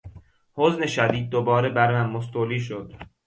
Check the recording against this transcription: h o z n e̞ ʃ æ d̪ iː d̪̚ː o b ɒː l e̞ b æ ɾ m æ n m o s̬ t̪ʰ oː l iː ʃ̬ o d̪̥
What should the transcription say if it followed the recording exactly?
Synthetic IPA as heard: h o z n e̞ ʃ æ d̪ iː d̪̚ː o b ɒː ɾ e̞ b æ ɾ m æ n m o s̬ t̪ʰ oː l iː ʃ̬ o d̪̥